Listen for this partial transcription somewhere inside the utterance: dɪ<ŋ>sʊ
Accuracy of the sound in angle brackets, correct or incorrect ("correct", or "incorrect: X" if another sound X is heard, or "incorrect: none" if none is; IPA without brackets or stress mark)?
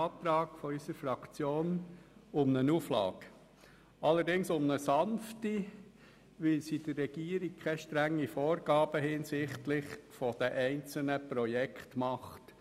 correct